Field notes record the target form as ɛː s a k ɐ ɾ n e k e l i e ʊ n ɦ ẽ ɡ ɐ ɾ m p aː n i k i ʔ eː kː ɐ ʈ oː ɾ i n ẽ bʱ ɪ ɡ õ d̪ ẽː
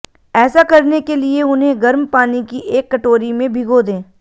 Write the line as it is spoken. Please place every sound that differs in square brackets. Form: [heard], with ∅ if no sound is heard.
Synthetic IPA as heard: ɛː s a k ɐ ɾ n e k e l i e ʊ n ɦ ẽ ɡ ɐ ɾ m p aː n i k i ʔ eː kː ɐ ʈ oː ɾ i [m] ẽ bʱ ɪ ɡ [o] d̪ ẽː